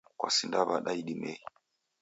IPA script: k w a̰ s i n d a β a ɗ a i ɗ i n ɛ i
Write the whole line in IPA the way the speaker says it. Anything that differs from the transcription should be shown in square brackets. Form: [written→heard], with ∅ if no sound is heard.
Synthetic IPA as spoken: k w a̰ s i n d a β a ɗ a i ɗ i [n→m] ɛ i